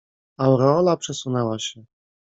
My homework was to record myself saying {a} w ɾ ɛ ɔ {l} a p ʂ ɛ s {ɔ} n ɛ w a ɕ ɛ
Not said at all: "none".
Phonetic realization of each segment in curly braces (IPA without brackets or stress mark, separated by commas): a, l, u